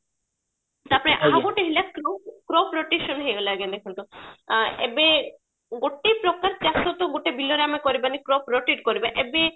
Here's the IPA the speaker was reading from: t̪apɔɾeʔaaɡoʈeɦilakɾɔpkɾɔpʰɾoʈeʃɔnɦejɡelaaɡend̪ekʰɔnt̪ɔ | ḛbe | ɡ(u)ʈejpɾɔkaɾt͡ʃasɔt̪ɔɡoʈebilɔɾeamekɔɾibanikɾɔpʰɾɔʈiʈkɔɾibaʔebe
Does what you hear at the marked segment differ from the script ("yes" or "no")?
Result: yes